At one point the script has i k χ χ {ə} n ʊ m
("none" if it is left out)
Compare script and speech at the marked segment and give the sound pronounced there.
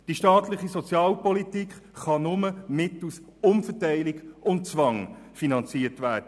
ɑ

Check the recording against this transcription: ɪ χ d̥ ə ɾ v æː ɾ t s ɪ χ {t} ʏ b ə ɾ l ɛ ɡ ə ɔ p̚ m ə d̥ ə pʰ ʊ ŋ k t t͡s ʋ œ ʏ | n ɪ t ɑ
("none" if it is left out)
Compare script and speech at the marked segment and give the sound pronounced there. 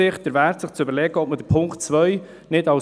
t͡s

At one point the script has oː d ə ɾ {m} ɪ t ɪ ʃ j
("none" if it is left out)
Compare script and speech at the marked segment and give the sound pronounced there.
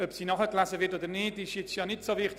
n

